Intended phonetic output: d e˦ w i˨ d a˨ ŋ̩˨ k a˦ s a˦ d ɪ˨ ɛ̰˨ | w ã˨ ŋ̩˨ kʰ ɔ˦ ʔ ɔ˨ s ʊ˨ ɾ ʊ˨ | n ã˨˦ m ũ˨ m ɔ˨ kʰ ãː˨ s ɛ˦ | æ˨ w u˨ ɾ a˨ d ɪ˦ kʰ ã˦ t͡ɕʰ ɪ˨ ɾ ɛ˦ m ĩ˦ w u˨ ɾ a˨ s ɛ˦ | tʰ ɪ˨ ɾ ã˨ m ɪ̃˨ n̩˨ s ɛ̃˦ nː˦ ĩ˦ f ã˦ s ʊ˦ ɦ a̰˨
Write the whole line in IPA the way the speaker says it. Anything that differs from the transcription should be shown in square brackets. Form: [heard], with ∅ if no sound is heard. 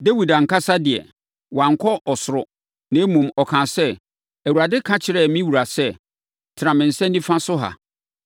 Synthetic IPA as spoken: d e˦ w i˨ d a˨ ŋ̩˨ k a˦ s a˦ d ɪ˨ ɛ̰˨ | w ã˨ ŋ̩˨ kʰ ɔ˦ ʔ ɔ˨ s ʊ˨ ɾ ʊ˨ | n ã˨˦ m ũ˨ m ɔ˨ kʰ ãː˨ s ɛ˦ | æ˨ w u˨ ɾ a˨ d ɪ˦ kʰ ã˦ t͡ɕʰ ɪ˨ ɾ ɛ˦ m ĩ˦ w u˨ ɾ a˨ s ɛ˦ | tʰ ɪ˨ ɾ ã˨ m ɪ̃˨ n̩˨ s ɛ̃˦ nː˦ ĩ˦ f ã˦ s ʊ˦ ɦ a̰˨